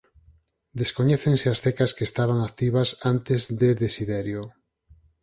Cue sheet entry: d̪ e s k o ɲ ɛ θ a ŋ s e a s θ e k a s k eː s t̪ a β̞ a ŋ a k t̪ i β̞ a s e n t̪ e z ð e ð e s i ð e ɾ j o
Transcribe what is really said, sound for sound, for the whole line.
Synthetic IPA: d̪ e s k o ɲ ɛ θ e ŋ s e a s θ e k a s k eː s t̪ a β̞ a ŋ a k t̪ i β̞ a s a n t̪ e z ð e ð e s i ð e ɾ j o